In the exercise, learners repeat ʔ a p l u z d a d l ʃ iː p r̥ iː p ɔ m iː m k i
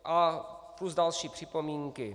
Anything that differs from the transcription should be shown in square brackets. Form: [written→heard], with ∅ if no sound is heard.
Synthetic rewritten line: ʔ a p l u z d a [d→∅] l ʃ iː p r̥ [iː→i] p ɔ m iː [m→ŋ] k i